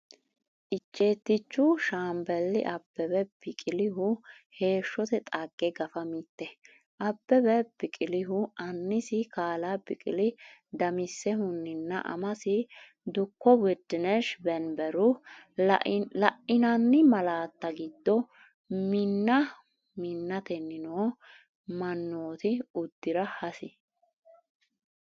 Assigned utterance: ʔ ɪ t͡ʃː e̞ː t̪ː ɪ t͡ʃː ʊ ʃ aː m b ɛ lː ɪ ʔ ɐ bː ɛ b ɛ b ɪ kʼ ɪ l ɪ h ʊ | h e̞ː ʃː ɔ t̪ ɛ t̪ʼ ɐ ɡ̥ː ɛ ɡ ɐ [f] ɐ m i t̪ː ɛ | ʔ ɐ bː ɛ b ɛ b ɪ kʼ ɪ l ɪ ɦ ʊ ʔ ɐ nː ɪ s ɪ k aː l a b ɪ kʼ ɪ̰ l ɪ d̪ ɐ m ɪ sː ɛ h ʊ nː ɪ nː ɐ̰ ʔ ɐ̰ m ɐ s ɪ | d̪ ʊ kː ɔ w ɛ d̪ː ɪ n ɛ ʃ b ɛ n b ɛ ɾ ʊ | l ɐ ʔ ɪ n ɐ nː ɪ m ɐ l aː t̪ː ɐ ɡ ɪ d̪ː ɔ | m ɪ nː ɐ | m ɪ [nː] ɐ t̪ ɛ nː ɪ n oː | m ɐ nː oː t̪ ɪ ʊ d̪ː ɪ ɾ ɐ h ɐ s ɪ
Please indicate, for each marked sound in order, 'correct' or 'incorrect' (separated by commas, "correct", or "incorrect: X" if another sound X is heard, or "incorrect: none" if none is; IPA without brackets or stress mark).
correct, correct